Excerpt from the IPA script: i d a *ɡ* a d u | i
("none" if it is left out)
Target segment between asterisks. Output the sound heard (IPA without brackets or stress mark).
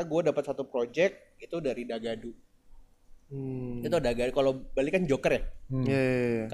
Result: ɡ